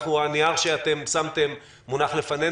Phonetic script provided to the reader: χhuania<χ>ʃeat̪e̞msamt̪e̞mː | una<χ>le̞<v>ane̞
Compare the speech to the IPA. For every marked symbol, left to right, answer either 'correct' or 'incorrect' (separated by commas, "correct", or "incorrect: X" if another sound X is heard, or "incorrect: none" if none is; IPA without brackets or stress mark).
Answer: incorrect: ʁ, correct, incorrect: f